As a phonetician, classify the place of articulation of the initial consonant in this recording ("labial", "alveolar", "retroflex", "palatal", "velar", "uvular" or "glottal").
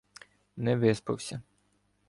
alveolar